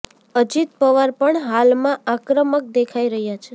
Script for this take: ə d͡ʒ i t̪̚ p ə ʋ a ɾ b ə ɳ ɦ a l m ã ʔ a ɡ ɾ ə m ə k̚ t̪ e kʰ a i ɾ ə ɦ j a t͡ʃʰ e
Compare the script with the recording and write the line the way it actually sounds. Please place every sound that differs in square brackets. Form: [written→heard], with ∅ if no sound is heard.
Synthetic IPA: ə d͡ʒ i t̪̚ p ə ʋ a ɾ [b→p] ə ɳ ɦ a l m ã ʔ a [ɡ→k] ɾ ə m ə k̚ [t̪→d̪] e kʰ a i ɾ ə ɦ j a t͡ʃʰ e